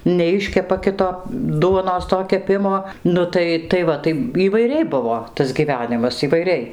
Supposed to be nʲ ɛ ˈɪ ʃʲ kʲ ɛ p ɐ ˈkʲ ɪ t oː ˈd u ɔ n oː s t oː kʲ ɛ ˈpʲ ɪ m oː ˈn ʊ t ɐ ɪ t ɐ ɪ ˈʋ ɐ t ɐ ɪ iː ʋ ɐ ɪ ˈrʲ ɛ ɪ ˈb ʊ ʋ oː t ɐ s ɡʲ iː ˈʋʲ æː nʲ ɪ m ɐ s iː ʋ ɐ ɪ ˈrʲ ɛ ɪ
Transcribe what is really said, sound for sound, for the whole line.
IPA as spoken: nʲ ɛ ˈɪ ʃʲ kʲ ɛ p ɐ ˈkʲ ɪ t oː ˈd u ɔ n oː s t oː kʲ ɛ ˈpʲ ɪ m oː ˈn ʊ t ɐ ɪ t ɐ ɪ ˈʋ ɐ t ɐ ɪ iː ʋ ɐ ɪ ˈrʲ ɛ ɪ ˈb ʊ ʋ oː t ɐ s ɡʲ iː ˈʋʲ æː nʲ ɪ m ɐ s iː ʋ ɐ ɪ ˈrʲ ɛ ɪ